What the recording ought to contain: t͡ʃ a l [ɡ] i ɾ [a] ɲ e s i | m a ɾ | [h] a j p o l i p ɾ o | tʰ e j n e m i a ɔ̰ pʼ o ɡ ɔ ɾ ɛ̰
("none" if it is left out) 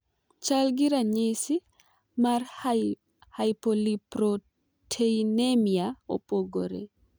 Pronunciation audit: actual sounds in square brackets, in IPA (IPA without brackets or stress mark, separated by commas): ɡ, a, h